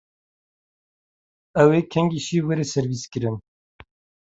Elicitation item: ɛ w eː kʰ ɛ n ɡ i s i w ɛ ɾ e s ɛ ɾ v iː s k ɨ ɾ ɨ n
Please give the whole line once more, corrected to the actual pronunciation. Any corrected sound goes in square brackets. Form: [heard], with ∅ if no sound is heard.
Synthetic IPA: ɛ w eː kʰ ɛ [ŋ] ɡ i [ʃ] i w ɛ ɾ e s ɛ ɾ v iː s k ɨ ɾ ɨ n

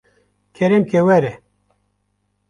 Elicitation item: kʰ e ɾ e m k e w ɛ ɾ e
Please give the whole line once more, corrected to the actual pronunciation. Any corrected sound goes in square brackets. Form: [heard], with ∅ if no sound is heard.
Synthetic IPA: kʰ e ɾ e m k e w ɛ ɾ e

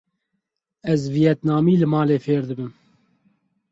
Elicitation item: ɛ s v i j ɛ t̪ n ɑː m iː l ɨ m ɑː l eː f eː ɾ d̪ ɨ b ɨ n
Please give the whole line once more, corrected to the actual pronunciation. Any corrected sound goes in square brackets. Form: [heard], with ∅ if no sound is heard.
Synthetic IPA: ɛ [z] v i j ɛ t̪ n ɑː m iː l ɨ m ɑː l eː f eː ɾ d̪ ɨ b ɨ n

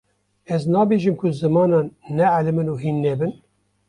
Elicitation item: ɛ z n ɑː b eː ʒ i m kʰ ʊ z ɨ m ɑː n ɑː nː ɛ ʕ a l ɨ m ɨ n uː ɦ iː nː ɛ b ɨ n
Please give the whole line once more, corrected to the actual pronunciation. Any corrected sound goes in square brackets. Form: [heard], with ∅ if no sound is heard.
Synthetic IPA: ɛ z n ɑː b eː ʒ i m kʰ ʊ z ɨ m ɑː n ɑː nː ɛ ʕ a l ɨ m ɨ n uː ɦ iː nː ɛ b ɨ n

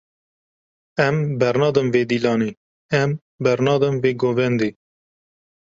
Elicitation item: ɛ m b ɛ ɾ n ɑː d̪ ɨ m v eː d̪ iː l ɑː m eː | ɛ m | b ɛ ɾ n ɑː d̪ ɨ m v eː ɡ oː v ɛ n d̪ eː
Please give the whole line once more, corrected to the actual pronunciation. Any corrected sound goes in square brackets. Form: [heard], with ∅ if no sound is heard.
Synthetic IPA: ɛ m b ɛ ɾ n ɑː d̪ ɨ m v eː d̪ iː l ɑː [n] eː | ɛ m | b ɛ ɾ n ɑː d̪ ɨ m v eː ɡ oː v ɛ n d̪ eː

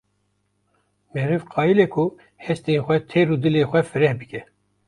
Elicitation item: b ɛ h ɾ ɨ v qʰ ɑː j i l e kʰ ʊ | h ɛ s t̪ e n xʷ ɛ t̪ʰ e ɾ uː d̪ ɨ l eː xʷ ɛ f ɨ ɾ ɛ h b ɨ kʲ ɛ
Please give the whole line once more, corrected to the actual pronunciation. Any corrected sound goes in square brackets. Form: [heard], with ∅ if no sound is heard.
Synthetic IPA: [m] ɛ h ɾ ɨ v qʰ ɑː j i l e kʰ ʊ | h ɛ s t̪ e n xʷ ɛ t̪ʰ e ɾ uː d̪ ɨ l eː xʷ ɛ f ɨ ɾ ɛ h b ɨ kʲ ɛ

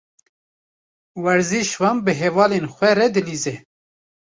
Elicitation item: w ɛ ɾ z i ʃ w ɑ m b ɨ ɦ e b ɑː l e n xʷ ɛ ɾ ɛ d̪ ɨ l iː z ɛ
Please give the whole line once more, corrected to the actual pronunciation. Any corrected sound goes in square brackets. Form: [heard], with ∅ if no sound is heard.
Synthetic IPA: w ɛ ɾ z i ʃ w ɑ m b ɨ ɦ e [v] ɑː l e n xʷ ɛ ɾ ɛ d̪ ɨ l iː z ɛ

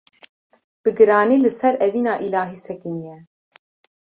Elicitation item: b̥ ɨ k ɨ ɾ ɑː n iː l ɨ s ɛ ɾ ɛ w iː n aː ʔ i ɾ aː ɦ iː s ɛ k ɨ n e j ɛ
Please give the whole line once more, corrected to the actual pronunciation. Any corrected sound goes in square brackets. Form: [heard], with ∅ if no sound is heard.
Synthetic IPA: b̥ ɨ [ɡ] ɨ ɾ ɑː n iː l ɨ s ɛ ɾ ɛ [v] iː n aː ʔ i [l] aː ɦ iː s ɛ k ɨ n [i] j ɛ

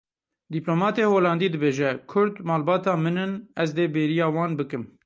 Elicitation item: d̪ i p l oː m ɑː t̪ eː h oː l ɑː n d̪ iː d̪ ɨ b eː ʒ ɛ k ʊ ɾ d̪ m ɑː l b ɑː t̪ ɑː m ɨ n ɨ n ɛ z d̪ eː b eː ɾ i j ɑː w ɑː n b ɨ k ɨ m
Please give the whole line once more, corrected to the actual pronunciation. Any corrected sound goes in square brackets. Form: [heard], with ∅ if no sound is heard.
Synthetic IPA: d̪ i p l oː m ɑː t̪ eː h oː l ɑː n d̪ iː d̪ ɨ b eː ʒ ɛ [kʰ] ʊ ɾ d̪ m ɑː l b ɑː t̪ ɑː m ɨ n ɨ n ɛ z d̪ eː b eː ɾ i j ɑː w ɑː n b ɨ k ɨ m

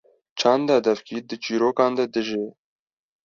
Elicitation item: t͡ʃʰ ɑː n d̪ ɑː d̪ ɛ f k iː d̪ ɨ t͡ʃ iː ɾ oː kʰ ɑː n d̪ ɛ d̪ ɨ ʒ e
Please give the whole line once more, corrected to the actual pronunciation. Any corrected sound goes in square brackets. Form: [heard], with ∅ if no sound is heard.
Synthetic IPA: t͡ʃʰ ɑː n d̪ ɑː d̪ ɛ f k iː d̪ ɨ t͡ʃ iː ɾ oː [k] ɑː n d̪ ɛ d̪ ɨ ʒ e

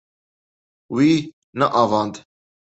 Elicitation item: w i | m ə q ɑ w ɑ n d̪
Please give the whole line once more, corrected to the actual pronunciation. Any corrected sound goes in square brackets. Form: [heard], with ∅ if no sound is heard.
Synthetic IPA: w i | [n] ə [ʔ] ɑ [v] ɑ n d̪

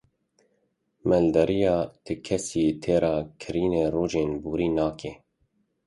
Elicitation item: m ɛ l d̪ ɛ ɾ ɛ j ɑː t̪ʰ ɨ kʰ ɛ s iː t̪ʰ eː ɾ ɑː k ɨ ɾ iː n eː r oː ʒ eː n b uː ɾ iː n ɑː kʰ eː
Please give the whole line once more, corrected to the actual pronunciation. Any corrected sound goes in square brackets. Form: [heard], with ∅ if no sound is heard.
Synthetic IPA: m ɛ l d̪ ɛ ɾ [i] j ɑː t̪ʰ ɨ kʰ ɛ s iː t̪ʰ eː ɾ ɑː [kʰ] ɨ ɾ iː n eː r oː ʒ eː n b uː ɾ iː n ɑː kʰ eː

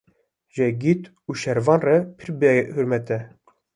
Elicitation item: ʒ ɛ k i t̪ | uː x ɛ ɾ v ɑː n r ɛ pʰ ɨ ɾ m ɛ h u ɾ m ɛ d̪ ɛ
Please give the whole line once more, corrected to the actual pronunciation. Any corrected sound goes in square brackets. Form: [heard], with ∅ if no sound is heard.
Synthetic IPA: ʒ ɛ [ɡ] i t̪ | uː [ʃ] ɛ ɾ v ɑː n r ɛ pʰ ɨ ɾ [b] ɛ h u ɾ m ɛ [t̪] ɛ

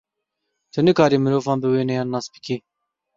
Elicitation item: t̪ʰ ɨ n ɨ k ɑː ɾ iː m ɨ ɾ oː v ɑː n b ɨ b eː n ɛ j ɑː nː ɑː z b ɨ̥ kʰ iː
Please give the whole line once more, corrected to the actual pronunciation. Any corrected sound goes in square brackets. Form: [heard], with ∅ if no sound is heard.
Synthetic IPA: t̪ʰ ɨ n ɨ k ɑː ɾ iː m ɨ ɾ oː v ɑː n b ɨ [w] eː n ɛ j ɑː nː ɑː [s] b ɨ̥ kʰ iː

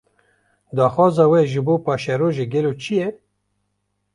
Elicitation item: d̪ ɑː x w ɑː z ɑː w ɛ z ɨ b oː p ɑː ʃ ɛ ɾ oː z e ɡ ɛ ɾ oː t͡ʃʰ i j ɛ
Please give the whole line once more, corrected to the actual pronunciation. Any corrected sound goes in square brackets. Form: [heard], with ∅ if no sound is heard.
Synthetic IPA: d̪ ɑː x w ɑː z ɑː w ɛ [ʒ] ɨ b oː p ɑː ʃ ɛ ɾ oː [ʒ] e ɡ ɛ [l] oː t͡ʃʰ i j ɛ

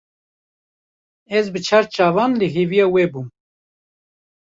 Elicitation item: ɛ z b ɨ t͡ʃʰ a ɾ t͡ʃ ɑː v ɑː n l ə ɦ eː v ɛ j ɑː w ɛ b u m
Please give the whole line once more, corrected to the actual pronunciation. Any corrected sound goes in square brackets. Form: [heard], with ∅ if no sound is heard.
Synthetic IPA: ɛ z b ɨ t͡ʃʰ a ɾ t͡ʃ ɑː v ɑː n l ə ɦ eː v [i] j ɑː w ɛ b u m

